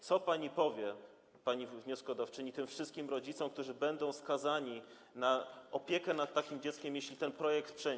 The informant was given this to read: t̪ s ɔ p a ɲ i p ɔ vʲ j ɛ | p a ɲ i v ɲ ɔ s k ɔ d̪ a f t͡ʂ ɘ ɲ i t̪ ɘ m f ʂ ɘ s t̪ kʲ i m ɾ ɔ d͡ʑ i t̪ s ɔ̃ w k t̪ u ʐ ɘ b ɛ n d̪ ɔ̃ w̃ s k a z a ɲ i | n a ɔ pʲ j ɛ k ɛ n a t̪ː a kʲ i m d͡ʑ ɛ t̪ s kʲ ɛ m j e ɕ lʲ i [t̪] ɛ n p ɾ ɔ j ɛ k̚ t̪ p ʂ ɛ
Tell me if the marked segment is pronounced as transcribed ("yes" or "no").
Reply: yes